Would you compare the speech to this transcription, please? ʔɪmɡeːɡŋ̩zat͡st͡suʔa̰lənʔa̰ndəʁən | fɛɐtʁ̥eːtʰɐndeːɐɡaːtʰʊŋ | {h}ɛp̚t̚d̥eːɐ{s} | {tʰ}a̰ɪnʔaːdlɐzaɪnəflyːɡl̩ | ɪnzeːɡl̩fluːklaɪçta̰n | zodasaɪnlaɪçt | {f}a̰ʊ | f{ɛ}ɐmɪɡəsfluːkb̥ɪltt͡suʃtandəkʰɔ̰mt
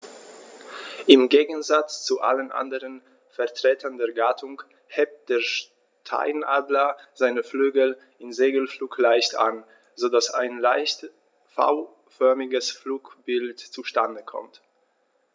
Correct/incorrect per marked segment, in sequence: correct, incorrect: ʃ, correct, correct, incorrect: œ

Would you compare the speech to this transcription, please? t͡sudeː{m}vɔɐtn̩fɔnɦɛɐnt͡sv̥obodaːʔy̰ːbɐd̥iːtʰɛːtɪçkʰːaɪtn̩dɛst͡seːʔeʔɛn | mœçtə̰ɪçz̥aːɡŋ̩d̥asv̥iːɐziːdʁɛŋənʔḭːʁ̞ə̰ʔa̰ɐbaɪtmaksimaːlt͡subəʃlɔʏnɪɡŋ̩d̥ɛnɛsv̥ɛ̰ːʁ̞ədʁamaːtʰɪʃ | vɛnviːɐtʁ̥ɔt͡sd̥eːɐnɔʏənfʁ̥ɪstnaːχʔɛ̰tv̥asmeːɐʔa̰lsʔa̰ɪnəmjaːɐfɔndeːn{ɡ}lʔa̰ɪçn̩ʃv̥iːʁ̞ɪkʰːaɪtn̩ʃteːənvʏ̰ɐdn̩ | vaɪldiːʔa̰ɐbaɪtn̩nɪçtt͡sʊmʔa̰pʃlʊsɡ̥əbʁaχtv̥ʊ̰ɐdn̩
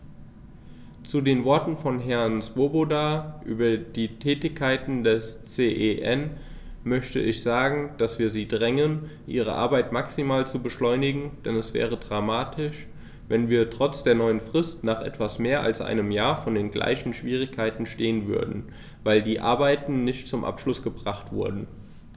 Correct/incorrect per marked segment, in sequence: incorrect: n, correct

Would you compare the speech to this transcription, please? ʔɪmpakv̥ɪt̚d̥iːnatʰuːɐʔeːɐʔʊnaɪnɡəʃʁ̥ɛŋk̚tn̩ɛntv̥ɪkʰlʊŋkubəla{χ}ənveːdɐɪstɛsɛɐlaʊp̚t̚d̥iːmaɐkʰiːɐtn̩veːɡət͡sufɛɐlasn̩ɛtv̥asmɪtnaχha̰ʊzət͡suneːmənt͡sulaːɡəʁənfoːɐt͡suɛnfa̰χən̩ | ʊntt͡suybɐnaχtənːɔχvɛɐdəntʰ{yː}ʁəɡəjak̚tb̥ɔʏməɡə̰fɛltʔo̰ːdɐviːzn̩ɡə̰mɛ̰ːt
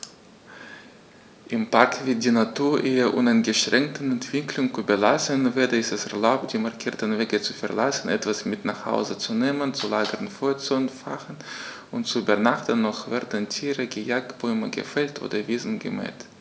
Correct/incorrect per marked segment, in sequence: incorrect: s, incorrect: iː

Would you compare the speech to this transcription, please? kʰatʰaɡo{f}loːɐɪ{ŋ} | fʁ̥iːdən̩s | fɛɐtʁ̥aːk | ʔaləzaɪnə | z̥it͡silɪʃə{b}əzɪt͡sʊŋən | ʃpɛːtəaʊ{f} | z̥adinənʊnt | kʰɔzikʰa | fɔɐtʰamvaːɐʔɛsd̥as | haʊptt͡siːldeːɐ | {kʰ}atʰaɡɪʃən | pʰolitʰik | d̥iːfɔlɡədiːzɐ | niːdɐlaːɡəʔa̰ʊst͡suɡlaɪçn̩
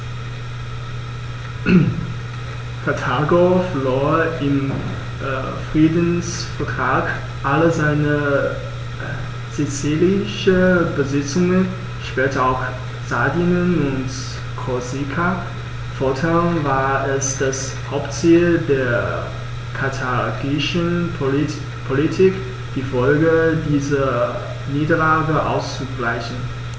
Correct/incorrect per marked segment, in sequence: correct, incorrect: m, correct, incorrect: x, correct

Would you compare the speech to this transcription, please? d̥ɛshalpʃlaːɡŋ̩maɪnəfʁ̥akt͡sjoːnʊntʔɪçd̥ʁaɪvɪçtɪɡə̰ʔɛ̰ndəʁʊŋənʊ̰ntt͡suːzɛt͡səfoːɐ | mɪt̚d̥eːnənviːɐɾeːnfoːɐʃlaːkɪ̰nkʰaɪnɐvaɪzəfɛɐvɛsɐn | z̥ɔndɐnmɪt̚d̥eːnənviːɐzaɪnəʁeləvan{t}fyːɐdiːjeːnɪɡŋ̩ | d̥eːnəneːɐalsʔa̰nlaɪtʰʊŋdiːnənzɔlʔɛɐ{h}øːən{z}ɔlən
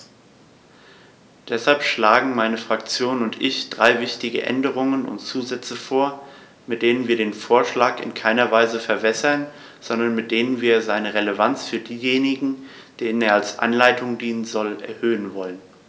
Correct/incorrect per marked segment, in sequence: incorrect: t͡s, correct, incorrect: v

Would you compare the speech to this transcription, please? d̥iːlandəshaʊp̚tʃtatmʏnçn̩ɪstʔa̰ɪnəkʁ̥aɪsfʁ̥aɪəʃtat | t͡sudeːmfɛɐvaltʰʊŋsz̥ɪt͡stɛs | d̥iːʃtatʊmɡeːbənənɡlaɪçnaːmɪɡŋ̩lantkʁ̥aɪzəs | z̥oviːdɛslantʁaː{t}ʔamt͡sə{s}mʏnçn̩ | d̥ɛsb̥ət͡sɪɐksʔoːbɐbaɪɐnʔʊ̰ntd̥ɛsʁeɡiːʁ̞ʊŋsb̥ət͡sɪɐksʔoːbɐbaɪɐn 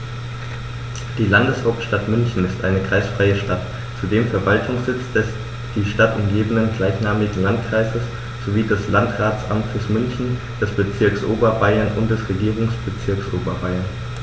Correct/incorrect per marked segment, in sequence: incorrect: t͡s, correct

